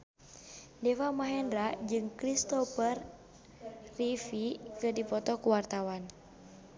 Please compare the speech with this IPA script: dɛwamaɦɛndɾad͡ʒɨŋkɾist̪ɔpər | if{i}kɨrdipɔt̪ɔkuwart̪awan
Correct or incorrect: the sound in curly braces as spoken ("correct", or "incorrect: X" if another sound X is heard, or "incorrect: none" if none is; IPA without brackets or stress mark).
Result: correct